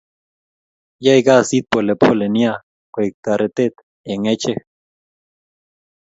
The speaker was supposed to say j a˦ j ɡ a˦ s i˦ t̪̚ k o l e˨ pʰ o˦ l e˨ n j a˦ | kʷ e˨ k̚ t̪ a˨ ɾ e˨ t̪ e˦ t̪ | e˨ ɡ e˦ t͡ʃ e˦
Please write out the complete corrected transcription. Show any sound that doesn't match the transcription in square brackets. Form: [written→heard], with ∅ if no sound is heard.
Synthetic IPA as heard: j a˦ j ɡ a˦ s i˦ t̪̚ [k→p] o l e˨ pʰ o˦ l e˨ n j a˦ | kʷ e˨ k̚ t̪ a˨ ɾ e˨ t̪ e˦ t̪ | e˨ [ɡ→ŋ] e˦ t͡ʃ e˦